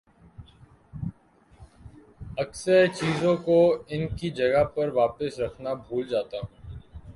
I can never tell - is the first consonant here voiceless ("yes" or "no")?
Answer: yes